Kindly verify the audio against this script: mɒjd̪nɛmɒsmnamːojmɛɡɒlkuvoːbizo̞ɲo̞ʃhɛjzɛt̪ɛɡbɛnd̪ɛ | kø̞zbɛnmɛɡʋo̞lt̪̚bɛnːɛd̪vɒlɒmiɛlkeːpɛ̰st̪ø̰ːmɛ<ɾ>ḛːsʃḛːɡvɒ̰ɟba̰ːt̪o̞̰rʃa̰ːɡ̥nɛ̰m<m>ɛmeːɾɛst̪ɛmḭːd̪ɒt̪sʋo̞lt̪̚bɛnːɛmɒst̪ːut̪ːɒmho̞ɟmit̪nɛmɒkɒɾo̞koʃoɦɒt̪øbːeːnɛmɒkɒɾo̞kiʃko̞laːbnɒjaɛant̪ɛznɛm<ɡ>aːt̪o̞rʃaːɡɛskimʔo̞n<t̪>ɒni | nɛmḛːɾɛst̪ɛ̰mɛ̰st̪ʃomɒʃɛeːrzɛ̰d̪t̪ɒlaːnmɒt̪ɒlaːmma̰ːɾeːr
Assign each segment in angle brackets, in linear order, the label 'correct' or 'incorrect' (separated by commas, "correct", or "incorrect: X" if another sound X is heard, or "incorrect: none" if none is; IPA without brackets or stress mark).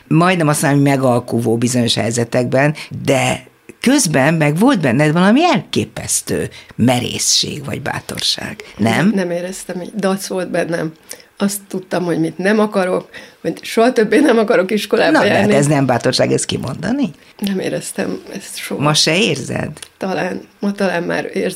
correct, incorrect: n, incorrect: b, incorrect: d̪